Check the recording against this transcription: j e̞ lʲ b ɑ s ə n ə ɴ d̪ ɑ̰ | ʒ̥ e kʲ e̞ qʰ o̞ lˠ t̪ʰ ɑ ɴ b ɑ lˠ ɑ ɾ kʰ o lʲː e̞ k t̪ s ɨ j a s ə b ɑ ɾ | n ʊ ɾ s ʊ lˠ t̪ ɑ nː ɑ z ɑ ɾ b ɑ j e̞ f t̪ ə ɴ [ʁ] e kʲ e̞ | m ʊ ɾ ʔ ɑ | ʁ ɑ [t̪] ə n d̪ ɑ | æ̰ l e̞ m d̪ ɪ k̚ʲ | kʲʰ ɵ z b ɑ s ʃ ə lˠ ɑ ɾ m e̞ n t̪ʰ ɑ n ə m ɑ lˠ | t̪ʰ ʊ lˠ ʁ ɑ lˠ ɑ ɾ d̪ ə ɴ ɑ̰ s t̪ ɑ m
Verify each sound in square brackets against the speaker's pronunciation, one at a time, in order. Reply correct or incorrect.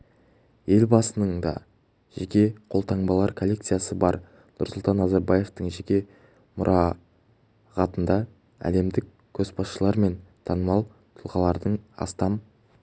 incorrect: ʒ, correct

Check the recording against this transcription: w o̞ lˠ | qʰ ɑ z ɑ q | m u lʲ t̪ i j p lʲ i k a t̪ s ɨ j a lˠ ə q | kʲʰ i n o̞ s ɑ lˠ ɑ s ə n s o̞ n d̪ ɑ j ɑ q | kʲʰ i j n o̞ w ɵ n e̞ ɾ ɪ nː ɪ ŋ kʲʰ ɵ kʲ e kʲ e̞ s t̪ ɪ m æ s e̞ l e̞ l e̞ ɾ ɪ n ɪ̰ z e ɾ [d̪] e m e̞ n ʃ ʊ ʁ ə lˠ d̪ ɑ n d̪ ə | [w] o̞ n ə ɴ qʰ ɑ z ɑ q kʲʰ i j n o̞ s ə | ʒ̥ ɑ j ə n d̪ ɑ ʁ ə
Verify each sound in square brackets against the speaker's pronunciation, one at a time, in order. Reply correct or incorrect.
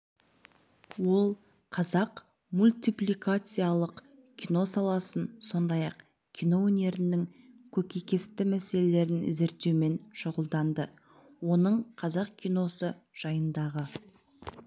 incorrect: t̪, correct

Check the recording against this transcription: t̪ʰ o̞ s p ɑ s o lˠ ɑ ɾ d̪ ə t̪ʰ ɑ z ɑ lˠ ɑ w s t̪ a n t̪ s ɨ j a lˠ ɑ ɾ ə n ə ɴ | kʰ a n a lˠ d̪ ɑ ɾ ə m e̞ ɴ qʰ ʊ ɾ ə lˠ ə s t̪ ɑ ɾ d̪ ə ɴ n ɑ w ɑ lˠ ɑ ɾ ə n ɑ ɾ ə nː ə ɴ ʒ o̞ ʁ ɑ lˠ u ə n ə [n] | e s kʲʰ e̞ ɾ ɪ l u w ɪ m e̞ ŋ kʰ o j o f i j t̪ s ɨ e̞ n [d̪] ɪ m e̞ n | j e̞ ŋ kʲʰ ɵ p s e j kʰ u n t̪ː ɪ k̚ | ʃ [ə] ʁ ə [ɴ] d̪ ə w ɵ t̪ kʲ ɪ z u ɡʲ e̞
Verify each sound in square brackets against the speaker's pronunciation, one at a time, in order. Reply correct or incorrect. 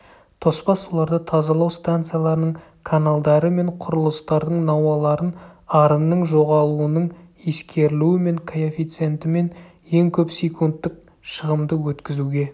incorrect: ɴ, incorrect: t̪, correct, incorrect: m

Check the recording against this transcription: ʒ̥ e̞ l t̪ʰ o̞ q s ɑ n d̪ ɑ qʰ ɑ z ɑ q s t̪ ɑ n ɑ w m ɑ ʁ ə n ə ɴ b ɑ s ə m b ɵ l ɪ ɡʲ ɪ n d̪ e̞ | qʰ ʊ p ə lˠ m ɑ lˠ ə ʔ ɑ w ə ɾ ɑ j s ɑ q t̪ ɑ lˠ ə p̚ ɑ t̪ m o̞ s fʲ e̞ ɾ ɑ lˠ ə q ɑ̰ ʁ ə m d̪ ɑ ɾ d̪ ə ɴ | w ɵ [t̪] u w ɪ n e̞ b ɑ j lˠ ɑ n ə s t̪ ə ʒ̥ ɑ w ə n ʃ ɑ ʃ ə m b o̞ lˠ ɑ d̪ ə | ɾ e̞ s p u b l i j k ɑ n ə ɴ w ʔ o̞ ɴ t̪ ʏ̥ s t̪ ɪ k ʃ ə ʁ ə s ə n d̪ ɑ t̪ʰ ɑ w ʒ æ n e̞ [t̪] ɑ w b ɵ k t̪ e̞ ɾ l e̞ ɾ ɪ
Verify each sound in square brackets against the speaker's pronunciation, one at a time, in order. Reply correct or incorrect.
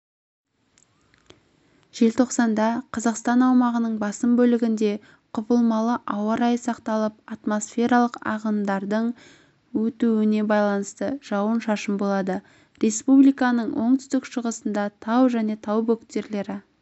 correct, incorrect: t̪ʰ

